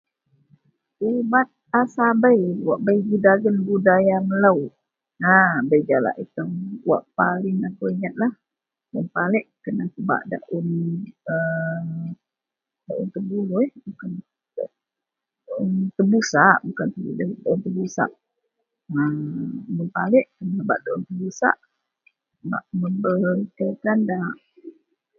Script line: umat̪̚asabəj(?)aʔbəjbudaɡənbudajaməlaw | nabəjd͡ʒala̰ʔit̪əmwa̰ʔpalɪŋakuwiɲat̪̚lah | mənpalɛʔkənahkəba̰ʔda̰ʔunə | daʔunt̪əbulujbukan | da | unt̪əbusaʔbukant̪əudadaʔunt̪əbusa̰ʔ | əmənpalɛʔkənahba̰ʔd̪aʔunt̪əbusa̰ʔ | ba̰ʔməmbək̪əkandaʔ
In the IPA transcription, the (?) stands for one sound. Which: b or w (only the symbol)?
w